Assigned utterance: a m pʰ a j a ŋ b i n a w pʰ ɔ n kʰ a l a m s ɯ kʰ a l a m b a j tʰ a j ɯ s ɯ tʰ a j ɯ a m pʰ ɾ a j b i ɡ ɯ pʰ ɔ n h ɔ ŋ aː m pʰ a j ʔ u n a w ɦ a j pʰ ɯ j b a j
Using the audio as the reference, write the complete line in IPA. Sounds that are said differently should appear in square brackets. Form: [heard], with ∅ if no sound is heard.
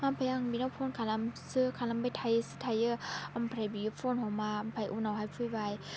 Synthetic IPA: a m pʰ a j a ŋ b i n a w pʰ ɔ n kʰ a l a m s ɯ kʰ a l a m b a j tʰ a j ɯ s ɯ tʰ a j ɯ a m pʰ ɾ a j b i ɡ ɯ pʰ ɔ n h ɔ [m] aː m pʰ a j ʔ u n a w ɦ a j pʰ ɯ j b a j